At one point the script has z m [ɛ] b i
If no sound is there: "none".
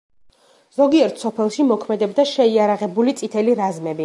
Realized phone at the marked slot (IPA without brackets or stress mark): ɛ